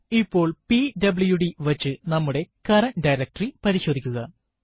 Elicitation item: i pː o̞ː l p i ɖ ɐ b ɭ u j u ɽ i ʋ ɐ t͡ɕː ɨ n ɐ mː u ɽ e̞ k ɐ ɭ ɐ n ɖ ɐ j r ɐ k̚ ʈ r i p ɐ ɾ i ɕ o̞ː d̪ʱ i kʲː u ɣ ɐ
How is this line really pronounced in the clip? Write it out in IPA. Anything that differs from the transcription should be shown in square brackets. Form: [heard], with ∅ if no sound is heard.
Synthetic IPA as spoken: i pː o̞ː [ɭ] p i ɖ ɐ b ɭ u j u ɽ i ʋ ɐ t͡ɕː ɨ n ɐ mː u ɽ e̞ k ɐ [ɾ] ɐ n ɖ ɐ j [ɾ] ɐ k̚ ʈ r i p ɐ ɾ i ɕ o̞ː d̪ʱ i kʲː u ɣ ɐ